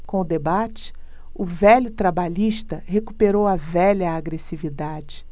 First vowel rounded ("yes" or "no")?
yes